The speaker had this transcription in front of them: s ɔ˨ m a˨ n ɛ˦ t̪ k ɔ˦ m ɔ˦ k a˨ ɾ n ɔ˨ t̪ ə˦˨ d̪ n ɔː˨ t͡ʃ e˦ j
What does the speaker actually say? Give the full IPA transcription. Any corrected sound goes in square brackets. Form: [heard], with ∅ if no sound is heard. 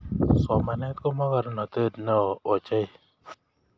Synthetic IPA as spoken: s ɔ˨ m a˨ n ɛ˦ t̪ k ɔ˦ m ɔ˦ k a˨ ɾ n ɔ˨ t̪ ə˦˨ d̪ n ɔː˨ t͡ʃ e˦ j